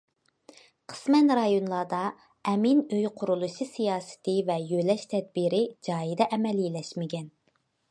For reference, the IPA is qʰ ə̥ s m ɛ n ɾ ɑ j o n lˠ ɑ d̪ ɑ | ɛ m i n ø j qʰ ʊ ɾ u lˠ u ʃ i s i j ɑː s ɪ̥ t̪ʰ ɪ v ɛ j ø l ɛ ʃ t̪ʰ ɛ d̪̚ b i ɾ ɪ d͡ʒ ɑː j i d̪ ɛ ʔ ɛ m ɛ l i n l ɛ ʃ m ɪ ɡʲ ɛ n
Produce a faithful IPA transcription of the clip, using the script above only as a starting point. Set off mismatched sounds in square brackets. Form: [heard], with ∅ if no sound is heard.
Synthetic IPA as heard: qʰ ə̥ s m ɛ n ɾ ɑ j o n lˠ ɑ d̪ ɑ | ɛ m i n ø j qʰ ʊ ɾ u lˠ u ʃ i s i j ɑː s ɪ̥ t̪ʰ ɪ v ɛ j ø l ɛ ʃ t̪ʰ ɛ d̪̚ b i ɾ ɪ d͡ʒ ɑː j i d̪ ɛ ʔ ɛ m ɛ l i [∅] l ɛ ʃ m ɪ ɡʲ ɛ n